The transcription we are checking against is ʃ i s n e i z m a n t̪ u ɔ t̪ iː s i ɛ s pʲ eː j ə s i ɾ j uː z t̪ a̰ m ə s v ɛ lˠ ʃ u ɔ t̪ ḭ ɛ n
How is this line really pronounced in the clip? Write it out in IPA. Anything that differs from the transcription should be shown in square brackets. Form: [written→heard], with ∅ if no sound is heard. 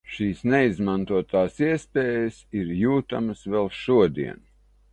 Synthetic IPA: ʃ [i→iː] s n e i z m a n t̪ u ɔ t̪ [iː→aː] s i ɛ s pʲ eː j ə s i ɾ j uː [z→∅] t̪ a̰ m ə s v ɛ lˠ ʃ u ɔ [t̪→d̪] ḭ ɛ n

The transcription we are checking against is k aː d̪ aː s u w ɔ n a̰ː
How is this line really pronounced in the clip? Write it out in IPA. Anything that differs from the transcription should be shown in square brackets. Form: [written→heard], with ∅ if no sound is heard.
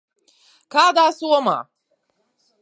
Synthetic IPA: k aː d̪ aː s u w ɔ [n→m] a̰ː

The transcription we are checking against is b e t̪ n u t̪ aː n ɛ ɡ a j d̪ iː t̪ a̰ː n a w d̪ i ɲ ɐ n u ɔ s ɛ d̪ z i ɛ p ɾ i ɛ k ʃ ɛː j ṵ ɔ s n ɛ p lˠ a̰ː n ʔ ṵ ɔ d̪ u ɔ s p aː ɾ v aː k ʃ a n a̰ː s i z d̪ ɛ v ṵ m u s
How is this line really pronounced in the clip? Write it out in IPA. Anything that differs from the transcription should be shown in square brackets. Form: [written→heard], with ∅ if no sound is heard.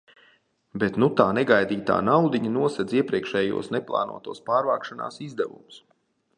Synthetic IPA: b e t̪ n u t̪ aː n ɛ ɡ a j d̪ iː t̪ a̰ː n a w d̪ i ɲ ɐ n u ɔ s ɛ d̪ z i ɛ p ɾ i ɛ k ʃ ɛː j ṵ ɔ s n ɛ p lˠ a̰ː n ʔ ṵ ɔ [d̪→t̪] u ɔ s p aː ɾ v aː k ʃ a n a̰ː s i z d̪ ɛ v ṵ m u s

